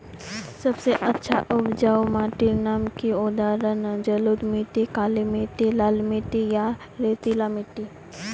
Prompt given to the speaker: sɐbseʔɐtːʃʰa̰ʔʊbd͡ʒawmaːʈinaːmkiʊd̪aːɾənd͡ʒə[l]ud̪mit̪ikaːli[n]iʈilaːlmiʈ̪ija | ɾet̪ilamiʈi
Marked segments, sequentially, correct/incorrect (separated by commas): correct, incorrect